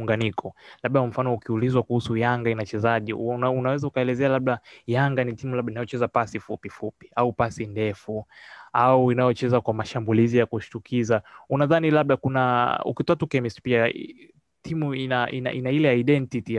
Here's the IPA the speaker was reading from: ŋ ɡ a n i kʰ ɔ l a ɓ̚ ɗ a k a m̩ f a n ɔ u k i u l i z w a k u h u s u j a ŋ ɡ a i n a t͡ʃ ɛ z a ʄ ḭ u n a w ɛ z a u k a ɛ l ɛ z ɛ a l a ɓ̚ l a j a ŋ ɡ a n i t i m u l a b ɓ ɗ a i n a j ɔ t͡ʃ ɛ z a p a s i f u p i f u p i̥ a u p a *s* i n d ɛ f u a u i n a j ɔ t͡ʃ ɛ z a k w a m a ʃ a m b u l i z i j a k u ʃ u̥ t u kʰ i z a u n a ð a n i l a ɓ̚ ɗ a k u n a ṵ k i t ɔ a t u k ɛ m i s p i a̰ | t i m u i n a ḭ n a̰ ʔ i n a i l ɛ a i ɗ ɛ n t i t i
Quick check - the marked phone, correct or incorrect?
correct